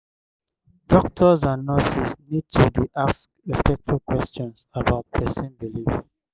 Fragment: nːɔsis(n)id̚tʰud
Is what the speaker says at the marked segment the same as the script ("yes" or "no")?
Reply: yes